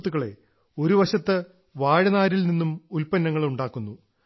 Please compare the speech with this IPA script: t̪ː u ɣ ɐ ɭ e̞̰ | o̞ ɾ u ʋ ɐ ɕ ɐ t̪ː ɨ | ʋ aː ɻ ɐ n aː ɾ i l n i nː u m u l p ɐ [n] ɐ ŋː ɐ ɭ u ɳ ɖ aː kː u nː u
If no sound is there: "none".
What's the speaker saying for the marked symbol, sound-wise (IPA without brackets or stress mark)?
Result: nː